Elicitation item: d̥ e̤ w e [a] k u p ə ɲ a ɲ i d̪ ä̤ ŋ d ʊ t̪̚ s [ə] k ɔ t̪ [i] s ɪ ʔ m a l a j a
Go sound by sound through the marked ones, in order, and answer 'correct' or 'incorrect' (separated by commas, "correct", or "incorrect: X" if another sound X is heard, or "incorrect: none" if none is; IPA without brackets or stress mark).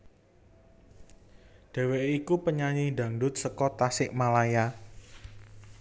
incorrect: i, correct, incorrect: a